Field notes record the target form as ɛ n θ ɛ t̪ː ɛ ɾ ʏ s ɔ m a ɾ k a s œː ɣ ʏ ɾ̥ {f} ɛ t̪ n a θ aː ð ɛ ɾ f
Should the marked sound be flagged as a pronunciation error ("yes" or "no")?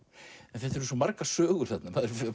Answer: yes